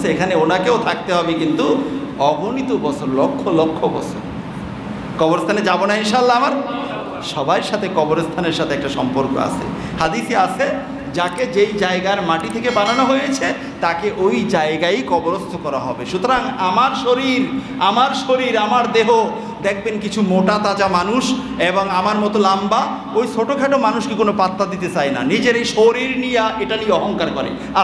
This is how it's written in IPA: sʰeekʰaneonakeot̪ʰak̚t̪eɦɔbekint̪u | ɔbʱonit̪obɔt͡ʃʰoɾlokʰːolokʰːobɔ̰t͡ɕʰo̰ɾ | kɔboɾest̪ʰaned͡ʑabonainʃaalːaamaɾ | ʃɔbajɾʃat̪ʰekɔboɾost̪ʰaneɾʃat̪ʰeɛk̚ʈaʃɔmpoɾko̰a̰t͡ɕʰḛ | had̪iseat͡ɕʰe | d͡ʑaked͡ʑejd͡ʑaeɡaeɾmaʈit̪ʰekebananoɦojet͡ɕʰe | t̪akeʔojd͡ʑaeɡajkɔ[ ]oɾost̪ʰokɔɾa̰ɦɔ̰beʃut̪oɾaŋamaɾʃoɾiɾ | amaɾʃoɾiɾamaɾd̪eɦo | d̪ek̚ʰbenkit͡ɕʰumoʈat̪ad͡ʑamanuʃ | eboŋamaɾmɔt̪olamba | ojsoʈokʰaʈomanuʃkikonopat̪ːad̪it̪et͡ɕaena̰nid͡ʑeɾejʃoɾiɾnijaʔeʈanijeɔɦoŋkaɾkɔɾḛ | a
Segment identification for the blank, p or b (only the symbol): b